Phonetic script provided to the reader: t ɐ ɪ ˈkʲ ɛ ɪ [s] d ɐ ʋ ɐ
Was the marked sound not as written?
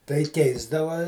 yes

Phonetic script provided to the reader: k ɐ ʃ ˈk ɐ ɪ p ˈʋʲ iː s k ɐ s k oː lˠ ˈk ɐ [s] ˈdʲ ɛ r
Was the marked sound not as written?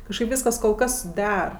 no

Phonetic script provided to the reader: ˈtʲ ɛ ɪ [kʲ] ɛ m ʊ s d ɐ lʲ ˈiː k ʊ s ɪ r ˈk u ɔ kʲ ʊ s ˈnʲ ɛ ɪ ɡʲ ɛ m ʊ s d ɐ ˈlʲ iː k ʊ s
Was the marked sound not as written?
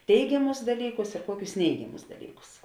yes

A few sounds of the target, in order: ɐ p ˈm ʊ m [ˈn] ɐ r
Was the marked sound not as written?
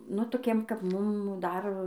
yes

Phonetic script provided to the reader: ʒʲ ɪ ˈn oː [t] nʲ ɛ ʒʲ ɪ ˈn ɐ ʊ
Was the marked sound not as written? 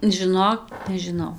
yes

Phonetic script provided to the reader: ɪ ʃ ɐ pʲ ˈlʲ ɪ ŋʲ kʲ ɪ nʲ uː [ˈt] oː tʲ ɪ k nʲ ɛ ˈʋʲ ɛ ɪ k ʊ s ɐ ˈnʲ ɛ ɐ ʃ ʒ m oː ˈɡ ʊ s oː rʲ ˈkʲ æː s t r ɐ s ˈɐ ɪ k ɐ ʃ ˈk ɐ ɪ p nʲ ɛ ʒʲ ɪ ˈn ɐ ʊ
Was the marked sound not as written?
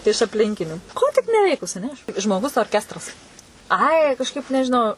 yes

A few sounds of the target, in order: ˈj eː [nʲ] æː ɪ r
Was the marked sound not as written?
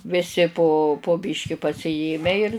yes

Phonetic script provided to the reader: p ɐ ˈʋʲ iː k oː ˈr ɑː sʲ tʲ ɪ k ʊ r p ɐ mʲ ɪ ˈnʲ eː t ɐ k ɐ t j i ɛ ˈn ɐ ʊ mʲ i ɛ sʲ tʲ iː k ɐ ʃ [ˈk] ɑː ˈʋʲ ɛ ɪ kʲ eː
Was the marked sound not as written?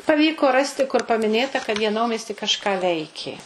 no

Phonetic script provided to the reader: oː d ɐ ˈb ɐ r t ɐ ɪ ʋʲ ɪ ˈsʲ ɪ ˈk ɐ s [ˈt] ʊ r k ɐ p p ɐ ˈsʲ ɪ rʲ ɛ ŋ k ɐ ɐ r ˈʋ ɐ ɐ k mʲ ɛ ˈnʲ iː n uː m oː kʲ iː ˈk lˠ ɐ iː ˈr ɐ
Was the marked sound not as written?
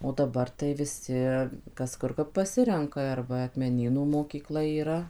yes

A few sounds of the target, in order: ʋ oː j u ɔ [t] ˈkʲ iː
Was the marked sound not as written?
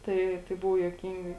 yes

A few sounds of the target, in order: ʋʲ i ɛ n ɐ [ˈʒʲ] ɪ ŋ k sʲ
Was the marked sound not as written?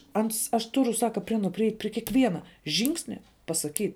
no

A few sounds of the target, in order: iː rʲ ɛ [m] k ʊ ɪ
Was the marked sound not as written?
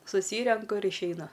yes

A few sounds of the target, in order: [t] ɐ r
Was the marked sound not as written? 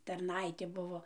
no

